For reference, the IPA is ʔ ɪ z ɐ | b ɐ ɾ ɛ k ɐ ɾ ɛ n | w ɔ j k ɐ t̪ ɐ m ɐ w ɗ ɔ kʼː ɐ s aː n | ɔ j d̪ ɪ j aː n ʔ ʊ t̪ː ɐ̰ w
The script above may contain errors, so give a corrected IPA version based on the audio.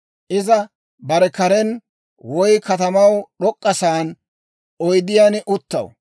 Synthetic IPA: ʔ ɪ z ɐ | b ɐ ɾ ɛ k ɐ ɾ ɛ n | w ɔ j k ɐ t̪ ɐ m ɐ w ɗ ɔ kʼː ɐ s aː n | ɔ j d̪ ɪ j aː n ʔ ʊ t̪ː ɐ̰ w